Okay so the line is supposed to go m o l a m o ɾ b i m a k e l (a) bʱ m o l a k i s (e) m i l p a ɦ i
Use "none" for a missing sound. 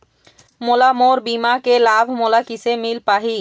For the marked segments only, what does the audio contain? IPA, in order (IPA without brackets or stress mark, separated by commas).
a, e